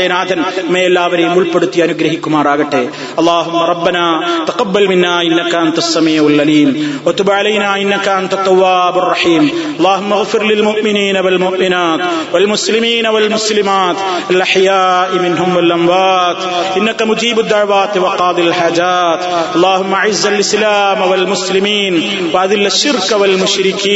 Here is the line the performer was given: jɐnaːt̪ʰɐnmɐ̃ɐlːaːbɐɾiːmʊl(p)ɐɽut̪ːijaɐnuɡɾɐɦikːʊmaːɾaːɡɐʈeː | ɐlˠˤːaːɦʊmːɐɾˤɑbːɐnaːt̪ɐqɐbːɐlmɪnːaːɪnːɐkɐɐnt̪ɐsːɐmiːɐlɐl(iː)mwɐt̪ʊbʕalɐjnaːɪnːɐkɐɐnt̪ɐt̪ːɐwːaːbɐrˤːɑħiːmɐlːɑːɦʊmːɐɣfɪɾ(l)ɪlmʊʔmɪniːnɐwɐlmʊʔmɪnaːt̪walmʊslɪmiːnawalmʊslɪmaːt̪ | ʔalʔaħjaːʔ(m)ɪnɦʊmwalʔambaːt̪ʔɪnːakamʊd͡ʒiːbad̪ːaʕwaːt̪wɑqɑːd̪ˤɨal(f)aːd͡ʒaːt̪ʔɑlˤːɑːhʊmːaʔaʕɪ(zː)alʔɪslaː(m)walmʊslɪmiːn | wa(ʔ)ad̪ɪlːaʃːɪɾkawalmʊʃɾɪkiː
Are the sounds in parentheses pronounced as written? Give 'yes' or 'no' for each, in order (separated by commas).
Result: yes, yes, yes, yes, no, yes, yes, yes